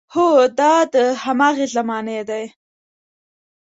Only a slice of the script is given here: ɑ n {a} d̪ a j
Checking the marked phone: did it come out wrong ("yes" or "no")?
yes